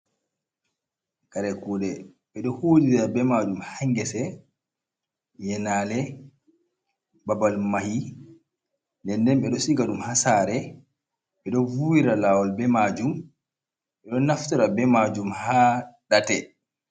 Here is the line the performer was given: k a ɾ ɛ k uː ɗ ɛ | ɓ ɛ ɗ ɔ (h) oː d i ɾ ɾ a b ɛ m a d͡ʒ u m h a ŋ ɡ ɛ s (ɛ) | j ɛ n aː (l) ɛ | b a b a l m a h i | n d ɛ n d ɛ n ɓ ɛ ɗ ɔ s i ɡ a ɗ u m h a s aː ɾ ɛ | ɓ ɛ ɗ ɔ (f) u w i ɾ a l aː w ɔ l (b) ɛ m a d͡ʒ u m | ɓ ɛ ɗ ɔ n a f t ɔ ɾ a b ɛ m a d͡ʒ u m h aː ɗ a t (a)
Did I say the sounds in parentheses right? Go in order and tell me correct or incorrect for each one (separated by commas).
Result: correct, correct, correct, incorrect, correct, incorrect